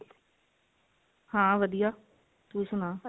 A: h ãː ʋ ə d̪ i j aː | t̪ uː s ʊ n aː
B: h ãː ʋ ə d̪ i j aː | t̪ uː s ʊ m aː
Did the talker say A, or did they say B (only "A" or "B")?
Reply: A